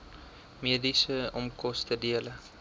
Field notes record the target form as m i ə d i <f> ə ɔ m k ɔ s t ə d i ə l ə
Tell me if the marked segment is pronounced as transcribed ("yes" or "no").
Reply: no